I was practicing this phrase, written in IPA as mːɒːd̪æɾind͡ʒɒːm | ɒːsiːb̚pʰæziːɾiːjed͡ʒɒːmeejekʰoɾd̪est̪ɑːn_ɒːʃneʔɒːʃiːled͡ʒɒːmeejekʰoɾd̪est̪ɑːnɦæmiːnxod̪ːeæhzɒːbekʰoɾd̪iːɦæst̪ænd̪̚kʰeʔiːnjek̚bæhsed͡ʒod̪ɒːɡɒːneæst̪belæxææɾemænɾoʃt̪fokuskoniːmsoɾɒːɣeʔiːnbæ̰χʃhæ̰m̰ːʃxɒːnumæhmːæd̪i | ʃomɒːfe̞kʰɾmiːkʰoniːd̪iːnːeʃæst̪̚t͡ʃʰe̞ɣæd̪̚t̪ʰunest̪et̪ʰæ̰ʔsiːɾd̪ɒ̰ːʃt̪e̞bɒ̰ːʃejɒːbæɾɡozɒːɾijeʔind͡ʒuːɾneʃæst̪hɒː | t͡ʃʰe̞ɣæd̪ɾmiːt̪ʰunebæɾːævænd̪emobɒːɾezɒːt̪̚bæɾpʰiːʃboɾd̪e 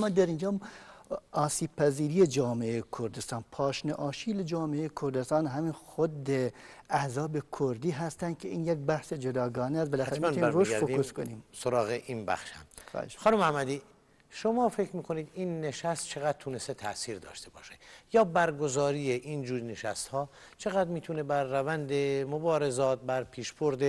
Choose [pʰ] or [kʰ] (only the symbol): pʰ